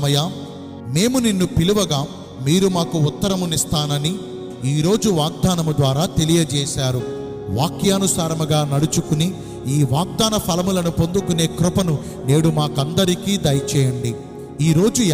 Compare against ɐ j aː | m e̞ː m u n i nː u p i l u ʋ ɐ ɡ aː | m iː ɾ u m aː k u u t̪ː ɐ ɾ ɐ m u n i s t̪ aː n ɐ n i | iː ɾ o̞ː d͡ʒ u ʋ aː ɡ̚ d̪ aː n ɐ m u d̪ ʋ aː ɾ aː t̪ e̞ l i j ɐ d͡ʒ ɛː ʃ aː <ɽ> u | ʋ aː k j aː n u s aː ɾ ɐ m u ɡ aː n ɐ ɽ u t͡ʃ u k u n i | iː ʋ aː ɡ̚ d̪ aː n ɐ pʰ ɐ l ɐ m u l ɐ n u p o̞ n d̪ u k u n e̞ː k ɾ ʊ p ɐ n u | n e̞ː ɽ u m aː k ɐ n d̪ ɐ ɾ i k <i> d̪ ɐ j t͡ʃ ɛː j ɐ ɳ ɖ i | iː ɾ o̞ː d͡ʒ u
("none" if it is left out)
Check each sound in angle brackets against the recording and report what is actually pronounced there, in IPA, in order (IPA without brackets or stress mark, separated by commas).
ɾ, iː